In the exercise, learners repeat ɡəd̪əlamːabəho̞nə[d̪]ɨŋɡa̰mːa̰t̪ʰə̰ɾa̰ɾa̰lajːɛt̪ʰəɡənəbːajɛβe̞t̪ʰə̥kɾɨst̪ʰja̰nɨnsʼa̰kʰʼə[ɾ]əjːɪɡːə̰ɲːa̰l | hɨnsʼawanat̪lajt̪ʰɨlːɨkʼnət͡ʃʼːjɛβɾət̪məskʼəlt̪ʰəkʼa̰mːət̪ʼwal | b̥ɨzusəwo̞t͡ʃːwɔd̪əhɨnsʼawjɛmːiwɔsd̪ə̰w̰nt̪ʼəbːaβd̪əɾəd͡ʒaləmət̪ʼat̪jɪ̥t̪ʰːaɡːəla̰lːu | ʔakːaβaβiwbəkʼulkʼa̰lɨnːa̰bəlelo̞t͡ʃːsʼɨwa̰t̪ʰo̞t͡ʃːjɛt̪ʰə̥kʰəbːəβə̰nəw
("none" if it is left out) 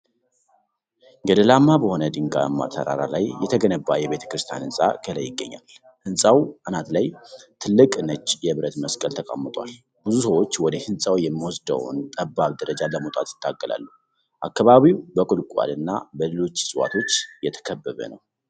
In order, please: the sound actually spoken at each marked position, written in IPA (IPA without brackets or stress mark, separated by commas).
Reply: d̪, l